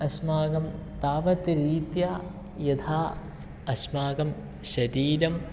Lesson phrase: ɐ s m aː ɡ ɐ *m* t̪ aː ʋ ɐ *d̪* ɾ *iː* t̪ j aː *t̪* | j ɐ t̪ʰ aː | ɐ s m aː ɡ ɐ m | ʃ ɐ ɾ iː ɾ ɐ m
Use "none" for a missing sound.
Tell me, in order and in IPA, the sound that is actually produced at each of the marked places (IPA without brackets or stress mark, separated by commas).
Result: m, t̪, iː, none